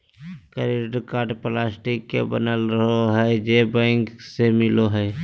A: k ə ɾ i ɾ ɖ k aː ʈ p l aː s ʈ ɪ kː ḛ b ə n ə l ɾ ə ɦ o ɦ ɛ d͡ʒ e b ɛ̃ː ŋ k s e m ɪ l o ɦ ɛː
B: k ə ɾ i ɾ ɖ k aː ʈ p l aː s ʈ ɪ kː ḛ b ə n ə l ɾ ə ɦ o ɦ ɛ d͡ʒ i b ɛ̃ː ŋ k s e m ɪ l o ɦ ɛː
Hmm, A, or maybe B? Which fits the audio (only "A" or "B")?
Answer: A